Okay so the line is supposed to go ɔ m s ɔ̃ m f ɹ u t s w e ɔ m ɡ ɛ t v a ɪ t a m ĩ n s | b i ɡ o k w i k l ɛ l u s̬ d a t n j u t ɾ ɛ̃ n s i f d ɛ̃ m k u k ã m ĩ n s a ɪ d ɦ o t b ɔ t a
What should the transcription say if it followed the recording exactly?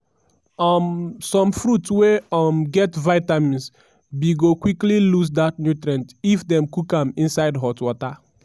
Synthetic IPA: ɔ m s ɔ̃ m f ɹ u t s w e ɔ m ɡ ɛ t v a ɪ t a m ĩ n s | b i ɡ o k w i k l i l u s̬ d a t n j u t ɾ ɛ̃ n t i f d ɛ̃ m k u k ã m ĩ n s a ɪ d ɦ ɔ t w ɔ t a